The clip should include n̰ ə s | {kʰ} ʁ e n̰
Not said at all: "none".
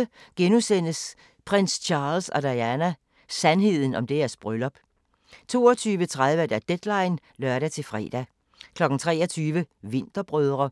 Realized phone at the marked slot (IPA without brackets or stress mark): pʰ